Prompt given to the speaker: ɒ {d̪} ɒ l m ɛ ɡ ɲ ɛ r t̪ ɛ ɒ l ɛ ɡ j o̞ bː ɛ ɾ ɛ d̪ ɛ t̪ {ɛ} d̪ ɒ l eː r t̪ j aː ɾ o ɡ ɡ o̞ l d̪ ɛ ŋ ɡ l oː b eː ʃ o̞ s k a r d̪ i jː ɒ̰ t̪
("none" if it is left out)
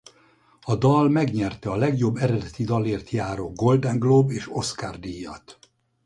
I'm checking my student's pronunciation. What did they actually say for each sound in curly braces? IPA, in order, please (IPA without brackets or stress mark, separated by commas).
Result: d̪, i